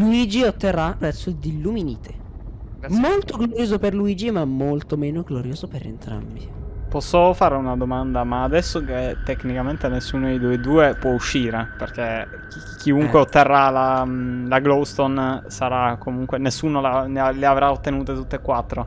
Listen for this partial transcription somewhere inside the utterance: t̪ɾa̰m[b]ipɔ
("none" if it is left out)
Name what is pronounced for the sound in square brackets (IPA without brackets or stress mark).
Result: b